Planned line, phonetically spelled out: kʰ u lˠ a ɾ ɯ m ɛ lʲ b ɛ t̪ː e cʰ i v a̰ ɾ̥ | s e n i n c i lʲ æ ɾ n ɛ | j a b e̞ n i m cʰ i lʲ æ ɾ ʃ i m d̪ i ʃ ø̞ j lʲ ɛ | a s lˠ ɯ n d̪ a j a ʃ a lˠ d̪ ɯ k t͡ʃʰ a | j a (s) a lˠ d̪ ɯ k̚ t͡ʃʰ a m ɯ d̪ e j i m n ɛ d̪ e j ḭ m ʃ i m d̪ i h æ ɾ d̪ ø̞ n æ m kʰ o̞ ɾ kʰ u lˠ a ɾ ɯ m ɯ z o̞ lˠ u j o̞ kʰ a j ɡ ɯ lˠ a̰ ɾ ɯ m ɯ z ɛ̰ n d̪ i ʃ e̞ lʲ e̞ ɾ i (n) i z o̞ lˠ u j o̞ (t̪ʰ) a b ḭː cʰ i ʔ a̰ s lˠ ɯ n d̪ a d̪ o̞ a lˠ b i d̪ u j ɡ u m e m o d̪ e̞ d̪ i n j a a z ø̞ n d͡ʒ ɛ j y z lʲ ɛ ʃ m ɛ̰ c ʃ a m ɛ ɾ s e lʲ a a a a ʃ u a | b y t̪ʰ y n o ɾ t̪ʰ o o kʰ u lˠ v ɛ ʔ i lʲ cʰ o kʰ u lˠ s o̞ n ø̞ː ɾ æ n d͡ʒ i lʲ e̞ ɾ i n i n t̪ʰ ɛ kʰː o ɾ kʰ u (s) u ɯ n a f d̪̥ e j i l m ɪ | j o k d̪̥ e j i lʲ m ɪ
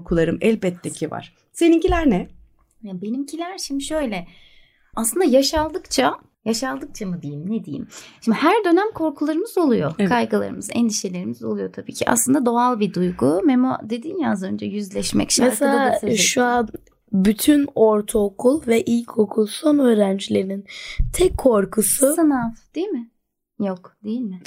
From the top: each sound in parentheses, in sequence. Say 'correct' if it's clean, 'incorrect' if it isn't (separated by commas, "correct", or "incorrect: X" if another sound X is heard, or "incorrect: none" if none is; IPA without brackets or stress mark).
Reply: incorrect: ʃ, incorrect: m, correct, correct